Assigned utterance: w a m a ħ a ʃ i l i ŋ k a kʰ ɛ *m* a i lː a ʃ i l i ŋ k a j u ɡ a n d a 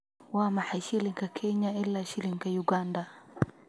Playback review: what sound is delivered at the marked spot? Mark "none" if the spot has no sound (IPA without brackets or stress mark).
ɲ